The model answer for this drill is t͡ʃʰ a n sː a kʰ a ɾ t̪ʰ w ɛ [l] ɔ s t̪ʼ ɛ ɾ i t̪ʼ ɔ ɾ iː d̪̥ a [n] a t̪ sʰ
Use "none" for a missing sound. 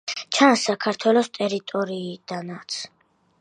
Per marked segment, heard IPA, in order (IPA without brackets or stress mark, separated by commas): l, n